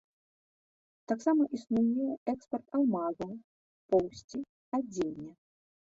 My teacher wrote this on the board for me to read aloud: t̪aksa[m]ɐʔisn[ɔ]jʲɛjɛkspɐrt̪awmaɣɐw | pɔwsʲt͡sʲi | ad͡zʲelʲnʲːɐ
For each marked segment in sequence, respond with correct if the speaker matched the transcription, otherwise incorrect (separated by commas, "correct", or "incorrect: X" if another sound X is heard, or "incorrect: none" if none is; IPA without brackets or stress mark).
correct, incorrect: u